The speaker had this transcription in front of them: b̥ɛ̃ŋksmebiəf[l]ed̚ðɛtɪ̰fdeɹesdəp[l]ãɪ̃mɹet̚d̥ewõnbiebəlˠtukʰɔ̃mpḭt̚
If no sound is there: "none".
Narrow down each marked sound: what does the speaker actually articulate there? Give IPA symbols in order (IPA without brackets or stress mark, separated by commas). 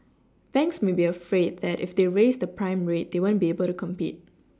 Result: ɹ, ɹ